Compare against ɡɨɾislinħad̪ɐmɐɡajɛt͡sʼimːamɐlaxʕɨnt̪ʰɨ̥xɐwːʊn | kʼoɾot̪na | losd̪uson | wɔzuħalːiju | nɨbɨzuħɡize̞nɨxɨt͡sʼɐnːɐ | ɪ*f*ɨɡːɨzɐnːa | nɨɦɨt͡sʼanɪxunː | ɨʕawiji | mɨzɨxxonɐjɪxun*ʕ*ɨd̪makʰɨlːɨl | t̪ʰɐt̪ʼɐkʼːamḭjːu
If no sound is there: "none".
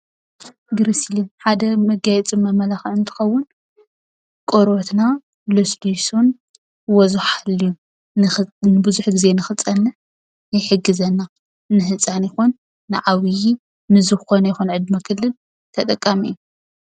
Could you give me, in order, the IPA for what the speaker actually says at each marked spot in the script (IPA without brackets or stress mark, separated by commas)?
ħ, ʕ